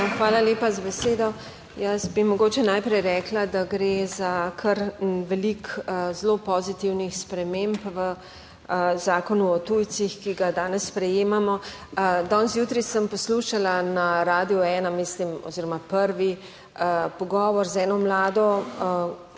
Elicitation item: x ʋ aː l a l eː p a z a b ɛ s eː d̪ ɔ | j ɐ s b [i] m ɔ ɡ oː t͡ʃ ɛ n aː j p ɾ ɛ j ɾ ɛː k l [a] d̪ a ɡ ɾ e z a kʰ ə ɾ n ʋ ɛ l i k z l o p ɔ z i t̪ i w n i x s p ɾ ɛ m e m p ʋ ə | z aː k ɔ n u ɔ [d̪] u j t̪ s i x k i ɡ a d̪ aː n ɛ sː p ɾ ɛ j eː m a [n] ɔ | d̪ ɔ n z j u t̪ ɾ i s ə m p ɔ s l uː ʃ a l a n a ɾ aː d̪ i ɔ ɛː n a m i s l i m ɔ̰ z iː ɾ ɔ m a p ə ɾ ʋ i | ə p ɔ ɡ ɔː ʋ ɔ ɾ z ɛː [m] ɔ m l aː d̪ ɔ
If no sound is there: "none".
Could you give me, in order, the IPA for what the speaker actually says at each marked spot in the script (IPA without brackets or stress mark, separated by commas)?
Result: i, a, t̪, m, n